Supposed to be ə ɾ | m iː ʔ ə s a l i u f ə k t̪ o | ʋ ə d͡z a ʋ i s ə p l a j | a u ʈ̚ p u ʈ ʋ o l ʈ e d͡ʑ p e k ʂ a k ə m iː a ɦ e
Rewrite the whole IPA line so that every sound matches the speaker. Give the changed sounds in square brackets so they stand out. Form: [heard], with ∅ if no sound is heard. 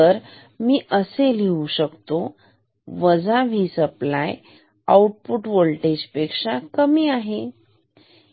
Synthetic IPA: ə ɾ | m iː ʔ ə s [e] l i u [ɕ] ə k t̪ o | ʋ ə d͡z a ʋ i s ə p l a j | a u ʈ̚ p u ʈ ʋ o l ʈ e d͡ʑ p e k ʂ a k ə m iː a ɦ e